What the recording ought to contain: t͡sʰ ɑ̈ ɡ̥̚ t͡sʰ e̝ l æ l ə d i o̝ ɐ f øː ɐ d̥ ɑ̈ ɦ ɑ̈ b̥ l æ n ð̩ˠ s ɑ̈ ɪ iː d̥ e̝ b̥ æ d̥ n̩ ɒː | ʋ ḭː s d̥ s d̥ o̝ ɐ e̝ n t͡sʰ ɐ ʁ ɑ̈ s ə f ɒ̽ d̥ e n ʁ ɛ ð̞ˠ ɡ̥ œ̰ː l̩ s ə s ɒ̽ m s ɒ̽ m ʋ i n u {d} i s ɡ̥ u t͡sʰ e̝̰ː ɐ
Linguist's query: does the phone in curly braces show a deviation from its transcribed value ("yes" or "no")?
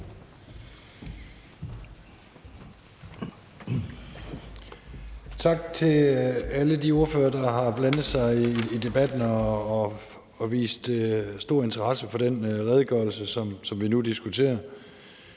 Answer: no